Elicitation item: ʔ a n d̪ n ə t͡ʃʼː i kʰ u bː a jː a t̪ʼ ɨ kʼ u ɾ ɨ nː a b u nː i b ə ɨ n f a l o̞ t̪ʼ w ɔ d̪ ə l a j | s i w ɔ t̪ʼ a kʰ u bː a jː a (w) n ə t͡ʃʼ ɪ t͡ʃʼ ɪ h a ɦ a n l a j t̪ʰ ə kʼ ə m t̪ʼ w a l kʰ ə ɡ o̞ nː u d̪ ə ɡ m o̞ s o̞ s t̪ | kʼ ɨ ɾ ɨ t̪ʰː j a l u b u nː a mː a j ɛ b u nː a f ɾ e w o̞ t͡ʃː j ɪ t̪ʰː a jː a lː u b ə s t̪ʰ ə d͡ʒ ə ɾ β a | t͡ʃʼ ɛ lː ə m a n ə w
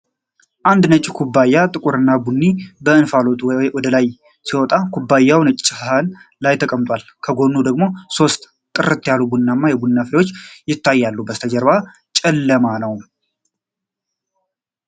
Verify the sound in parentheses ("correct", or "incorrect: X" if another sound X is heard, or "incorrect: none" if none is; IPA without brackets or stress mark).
correct